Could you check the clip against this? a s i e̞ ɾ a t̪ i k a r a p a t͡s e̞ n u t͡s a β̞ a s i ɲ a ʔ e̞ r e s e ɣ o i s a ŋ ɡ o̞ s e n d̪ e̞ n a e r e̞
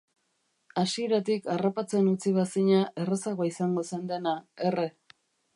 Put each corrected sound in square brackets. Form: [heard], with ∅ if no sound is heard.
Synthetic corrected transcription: a s i e̞ ɾ a t̪ i k a r a p a t͡s e̞ n u t͡s [i] β̞ a s i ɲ a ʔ e̞ r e s [a] ɣ o i s a ŋ ɡ o̞ s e n d̪ e̞ n a e r e̞